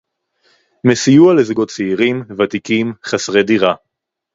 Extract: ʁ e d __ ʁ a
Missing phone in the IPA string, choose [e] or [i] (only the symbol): i